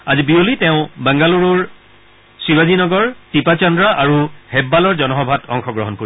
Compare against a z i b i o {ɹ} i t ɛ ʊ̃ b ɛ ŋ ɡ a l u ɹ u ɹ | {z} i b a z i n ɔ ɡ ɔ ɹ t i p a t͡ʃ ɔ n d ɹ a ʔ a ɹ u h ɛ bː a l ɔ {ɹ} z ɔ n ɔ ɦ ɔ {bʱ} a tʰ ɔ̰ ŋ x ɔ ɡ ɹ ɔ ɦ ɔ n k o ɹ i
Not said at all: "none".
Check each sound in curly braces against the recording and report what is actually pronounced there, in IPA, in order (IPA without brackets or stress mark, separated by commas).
l, s, ɹ, bʱ